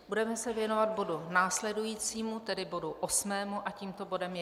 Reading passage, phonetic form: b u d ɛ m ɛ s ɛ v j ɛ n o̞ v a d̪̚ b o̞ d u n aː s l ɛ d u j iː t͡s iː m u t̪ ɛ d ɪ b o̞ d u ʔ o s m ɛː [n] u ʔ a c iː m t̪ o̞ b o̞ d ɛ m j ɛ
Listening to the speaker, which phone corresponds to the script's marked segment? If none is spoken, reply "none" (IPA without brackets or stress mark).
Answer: m